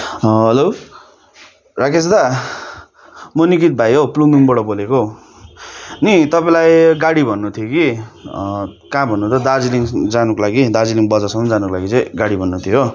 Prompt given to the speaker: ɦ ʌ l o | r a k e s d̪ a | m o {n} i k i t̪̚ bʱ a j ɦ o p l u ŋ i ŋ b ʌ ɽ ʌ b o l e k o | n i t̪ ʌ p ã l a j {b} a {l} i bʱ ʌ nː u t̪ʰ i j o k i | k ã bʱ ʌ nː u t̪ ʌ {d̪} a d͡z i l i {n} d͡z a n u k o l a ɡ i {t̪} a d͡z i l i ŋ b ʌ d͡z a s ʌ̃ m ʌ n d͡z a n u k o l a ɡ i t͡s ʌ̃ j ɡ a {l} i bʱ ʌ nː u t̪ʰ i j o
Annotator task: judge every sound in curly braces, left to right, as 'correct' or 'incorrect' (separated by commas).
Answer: correct, incorrect, incorrect, correct, incorrect, incorrect, incorrect